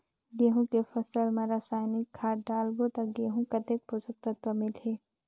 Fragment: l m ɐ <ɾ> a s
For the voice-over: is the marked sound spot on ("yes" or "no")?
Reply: yes